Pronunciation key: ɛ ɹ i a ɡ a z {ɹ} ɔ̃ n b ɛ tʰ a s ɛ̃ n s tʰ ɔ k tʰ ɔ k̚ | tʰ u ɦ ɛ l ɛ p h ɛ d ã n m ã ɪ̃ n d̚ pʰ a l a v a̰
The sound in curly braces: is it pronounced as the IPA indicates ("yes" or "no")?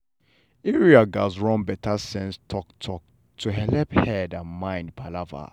yes